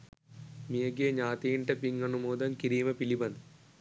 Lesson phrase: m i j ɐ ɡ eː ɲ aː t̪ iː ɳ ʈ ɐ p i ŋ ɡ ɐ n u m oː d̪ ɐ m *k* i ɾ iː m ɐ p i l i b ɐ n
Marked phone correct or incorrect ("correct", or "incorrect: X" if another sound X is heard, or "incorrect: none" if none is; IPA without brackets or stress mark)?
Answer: correct